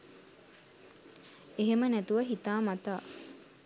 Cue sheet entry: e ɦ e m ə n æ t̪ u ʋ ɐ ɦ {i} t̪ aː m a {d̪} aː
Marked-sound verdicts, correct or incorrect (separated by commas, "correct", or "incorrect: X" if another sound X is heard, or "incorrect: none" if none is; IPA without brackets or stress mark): correct, incorrect: t̪